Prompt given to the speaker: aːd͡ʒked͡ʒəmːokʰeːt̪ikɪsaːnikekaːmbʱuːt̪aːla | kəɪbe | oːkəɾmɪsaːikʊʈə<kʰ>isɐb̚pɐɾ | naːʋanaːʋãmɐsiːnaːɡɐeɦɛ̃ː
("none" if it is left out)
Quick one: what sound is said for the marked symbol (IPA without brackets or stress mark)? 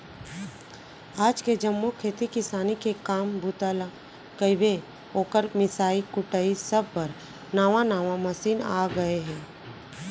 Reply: none